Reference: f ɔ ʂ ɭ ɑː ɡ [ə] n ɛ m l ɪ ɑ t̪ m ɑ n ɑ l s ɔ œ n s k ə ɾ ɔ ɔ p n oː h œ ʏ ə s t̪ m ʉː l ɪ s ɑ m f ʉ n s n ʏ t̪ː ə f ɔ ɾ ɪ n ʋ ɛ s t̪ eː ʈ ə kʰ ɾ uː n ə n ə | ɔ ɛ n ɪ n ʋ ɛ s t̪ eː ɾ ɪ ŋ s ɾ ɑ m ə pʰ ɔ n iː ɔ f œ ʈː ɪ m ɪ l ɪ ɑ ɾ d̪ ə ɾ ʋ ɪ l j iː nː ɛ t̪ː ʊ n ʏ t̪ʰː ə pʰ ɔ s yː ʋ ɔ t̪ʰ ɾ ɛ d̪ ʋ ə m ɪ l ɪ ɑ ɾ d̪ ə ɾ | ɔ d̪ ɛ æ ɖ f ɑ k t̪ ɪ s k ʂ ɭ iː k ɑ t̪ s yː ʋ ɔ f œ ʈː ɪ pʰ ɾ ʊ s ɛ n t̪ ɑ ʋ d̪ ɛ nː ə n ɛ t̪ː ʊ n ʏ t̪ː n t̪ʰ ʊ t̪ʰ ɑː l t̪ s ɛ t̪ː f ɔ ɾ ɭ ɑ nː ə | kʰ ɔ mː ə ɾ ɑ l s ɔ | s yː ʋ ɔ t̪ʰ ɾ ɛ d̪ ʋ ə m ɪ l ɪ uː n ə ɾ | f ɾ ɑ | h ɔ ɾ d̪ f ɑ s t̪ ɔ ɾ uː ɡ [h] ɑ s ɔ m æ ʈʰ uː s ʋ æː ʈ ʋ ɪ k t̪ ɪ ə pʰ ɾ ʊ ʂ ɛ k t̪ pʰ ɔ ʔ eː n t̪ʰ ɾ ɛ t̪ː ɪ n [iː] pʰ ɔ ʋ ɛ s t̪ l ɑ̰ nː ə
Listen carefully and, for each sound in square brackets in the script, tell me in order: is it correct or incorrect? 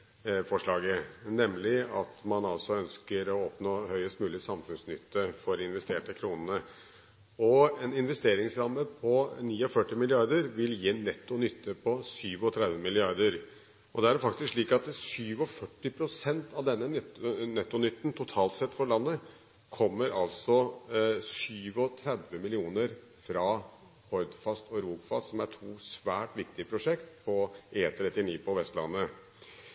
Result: correct, incorrect, correct

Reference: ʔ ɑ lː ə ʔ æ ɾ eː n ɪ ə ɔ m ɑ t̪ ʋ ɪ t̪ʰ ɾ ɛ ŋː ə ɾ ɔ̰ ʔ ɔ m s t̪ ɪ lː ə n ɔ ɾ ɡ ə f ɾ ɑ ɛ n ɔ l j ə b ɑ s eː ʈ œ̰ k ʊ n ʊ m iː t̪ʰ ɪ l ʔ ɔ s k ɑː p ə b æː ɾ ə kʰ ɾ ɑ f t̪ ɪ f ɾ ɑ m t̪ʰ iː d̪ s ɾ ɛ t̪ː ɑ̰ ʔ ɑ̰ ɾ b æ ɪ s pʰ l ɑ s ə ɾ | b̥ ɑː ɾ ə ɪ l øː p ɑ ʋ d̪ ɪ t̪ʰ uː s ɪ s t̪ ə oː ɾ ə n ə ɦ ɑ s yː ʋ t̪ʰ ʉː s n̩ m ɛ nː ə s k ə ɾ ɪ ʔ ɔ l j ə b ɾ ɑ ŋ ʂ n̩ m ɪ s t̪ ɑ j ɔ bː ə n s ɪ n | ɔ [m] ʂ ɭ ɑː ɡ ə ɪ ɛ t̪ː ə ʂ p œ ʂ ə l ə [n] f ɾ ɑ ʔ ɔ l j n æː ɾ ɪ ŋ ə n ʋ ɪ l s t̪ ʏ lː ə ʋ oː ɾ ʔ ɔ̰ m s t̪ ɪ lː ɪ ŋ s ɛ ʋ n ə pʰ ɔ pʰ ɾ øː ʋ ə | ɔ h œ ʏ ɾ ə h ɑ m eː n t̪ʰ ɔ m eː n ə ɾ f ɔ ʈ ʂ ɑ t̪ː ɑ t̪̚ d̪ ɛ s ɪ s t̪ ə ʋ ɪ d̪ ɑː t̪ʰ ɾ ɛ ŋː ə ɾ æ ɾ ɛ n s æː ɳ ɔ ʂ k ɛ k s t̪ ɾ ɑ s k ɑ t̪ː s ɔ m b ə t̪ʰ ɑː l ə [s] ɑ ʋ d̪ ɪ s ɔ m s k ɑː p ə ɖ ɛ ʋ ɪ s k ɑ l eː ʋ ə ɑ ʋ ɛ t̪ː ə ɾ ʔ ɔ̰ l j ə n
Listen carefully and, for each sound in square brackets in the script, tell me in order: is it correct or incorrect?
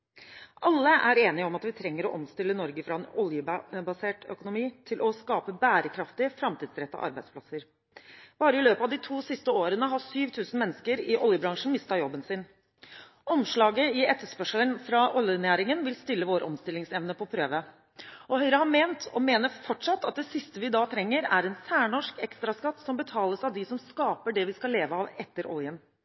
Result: correct, correct, correct

